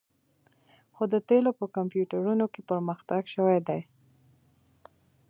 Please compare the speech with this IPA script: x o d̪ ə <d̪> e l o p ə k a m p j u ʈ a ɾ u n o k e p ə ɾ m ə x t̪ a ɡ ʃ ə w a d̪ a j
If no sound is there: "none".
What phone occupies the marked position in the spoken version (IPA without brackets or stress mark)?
t̪